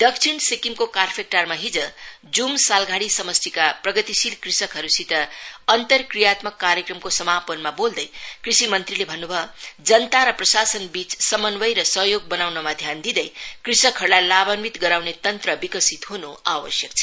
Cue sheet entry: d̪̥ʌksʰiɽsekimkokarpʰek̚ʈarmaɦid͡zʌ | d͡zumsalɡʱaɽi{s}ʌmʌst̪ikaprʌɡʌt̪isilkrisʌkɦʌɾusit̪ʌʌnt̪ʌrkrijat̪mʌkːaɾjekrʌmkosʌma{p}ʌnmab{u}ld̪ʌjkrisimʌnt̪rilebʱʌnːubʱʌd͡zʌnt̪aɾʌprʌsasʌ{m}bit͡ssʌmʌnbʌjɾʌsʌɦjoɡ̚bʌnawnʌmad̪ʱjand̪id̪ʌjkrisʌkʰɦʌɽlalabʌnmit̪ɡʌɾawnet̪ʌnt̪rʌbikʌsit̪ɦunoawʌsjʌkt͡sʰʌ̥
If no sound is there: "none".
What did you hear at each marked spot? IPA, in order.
s, p, o, n

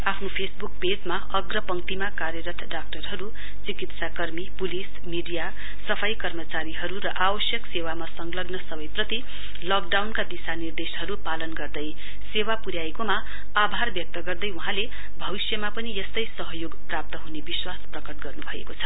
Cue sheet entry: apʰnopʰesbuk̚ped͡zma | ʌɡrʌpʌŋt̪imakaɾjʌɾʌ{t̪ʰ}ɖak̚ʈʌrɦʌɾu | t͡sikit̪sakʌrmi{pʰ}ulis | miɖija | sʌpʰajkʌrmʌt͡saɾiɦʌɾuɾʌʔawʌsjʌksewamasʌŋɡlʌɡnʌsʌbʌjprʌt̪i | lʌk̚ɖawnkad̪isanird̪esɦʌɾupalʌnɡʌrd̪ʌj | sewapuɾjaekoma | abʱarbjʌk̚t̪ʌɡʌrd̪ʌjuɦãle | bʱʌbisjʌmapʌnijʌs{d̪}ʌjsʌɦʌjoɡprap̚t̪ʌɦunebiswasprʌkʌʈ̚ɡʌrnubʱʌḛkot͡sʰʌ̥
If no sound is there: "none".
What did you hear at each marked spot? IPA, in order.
t̪ʰ, p, t̪

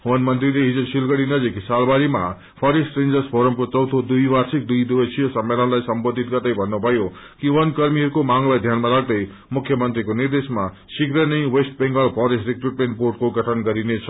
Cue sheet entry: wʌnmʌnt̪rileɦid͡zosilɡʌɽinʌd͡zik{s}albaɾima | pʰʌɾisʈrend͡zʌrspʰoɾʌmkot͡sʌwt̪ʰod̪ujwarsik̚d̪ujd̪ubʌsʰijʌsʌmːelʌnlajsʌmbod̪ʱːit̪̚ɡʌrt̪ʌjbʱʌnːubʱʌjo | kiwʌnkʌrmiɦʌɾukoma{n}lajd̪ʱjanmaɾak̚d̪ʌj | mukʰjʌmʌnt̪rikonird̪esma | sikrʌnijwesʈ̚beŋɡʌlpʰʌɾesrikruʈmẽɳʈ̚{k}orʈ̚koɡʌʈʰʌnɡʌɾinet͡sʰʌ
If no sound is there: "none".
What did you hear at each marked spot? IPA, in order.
s, ŋ, p

